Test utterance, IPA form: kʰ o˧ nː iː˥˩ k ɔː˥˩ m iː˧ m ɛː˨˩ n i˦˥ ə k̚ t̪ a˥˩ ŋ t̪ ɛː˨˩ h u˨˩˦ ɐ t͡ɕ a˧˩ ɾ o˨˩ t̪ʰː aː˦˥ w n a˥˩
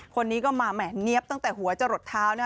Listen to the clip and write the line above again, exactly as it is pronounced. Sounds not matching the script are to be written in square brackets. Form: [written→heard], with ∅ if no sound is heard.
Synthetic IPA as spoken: kʰ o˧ nː [iː˥˩→iː˦˥] k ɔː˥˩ m [iː˧→aː˧] m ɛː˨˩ n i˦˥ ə [k̚→p̚] t̪ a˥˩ ŋ t̪ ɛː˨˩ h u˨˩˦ ɐ t͡ɕ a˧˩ ɾ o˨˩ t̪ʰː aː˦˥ w n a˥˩